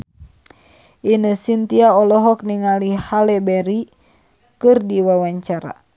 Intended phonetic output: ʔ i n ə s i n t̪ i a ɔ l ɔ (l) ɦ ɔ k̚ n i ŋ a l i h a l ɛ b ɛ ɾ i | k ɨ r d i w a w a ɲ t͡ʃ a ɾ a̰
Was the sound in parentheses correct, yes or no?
no